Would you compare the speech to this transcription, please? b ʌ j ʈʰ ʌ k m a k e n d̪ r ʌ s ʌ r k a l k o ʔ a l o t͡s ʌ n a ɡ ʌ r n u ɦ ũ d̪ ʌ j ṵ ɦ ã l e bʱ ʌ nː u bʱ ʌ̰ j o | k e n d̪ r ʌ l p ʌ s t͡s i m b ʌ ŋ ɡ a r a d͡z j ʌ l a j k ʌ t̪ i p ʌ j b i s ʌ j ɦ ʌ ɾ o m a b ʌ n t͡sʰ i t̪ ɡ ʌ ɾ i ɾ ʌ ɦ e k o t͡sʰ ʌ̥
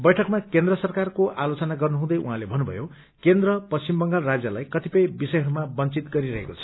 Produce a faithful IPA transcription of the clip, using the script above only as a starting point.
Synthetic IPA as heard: b ʌ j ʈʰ ʌ k m a k e n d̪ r ʌ s ʌ r k a r k o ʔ a l o t͡s ʌ n a ɡ ʌ r n u ɦ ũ d̪ ʌ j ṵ ɦ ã l e bʱ ʌ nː u bʱ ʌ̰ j o | k e n d̪ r ʌ p ʌ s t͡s i m b ʌ ŋ ɡ a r a d͡z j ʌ l a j k ʌ t̪ i p ʌ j b i s ʌ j ɦ ʌ ɾ u m a b ʌ n t͡s i t̪ ɡ ʌ ɾ i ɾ ʌ ɦ e k o t͡sʰ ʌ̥

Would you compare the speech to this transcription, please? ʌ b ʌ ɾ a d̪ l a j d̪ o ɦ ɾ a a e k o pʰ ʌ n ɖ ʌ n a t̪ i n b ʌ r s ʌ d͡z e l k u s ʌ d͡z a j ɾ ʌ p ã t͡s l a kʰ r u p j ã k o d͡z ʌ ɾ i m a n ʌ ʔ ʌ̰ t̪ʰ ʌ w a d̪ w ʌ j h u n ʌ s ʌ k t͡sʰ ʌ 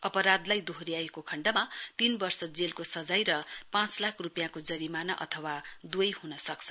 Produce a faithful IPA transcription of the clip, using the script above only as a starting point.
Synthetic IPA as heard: ʌ p ʌ ɾ a d̪ l a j d̪ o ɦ ɾ i a e k o kʰ ʌ ɳ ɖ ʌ m a t̪ i n b ʌ r s ʌ d͡z e l k o s ʌ d͡z a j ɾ ʌ p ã t͡s l a kʰ r u p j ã k o d͡z ʌ ɾ i m a n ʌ ʔ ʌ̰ t̪ʰ ʌ w a d̪ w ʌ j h u n ʌ s ʌ k t͡sʰ ʌ

